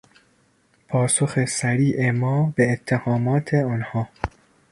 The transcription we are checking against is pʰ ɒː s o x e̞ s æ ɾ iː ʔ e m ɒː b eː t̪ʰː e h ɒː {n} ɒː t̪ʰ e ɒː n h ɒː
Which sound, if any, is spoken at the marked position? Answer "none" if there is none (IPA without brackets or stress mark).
m